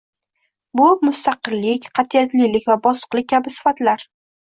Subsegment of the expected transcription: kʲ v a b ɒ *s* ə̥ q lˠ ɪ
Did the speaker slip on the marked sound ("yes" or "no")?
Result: no